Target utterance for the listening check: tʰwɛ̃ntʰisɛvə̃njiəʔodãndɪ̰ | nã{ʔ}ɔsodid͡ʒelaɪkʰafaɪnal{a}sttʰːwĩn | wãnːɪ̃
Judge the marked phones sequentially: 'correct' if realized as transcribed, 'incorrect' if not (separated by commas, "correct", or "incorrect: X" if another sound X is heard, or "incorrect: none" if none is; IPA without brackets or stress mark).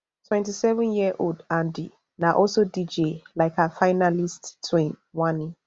correct, incorrect: i